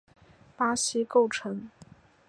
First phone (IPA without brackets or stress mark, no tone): p